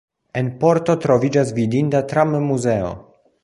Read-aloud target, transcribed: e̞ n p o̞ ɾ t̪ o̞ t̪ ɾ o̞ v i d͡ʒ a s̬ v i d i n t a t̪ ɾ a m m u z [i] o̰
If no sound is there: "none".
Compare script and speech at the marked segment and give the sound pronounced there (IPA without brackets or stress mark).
e